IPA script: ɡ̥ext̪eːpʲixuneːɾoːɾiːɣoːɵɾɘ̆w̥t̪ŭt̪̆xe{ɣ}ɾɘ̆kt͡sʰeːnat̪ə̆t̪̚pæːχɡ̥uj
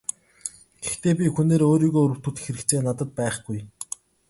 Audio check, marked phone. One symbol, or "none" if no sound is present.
none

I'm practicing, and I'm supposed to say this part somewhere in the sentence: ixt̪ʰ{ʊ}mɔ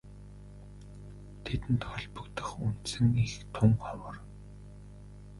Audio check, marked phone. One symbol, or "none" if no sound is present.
ʊ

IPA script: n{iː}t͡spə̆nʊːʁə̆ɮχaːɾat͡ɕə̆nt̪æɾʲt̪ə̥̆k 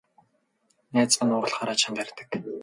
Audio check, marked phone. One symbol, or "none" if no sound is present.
æː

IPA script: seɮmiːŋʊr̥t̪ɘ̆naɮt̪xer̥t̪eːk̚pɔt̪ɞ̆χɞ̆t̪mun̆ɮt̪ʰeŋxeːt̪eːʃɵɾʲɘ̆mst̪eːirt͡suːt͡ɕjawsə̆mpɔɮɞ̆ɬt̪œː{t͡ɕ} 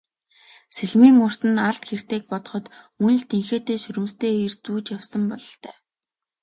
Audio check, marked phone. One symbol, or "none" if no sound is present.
none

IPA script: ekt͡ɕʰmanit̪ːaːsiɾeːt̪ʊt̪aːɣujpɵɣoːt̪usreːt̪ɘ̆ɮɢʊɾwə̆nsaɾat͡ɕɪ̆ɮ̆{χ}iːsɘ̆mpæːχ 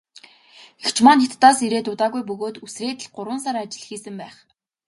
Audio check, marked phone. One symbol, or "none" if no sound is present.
x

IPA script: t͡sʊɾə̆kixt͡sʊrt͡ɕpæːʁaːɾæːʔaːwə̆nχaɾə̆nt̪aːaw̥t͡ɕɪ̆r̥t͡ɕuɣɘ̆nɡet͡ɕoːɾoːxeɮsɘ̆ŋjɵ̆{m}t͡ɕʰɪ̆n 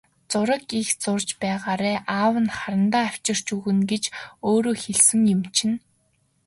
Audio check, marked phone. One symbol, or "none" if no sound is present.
m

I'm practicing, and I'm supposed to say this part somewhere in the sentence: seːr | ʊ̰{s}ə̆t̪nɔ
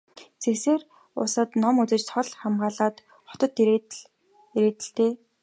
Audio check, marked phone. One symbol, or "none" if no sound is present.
s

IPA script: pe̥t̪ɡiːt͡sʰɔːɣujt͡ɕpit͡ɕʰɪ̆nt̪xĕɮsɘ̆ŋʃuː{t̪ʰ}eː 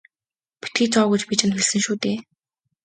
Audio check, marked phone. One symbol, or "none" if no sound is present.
t̪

